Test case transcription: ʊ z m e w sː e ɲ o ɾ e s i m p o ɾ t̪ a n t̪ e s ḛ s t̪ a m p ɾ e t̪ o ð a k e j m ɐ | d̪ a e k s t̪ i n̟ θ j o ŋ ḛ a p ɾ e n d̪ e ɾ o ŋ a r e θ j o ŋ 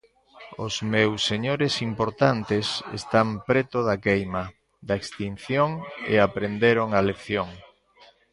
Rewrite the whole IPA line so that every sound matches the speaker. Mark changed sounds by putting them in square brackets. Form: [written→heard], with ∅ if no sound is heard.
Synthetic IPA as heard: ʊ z m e w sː e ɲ o ɾ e s i m p o ɾ t̪ a n t̪ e s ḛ s t̪ a m p ɾ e t̪ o ð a k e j m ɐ | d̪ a e k s t̪ i n̟ θ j o ŋ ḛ a p ɾ e n d̪ e ɾ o ŋ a [r→l] e θ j o ŋ